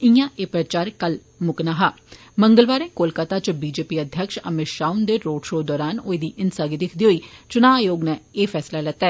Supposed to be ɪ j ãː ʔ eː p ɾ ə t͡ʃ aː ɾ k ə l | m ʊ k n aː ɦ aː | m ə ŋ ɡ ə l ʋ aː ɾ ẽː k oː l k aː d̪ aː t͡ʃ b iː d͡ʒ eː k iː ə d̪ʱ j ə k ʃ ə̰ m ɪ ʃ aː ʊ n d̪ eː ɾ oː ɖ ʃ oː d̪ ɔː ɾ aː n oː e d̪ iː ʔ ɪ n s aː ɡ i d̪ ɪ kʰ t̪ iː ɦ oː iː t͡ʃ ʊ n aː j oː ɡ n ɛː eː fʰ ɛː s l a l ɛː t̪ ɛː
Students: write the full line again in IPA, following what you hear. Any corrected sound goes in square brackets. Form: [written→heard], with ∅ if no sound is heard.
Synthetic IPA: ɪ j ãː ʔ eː p ɾ ə t͡ʃ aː ɾ k ə l | m ʊ k n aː ɦ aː | m ə ŋ ɡ ə l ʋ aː ɾ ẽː k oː l k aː [d̪→t̪] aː t͡ʃ b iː d͡ʒ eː [k→p] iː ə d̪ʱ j ə k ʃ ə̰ m ɪ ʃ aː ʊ n d̪ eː ɾ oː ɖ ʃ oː d̪ ɔː ɾ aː n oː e d̪ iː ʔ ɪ n s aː ɡ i d̪ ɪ kʰ [t̪→d̪] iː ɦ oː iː t͡ʃ ʊ n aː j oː ɡ n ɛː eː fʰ ɛː s l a l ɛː t̪ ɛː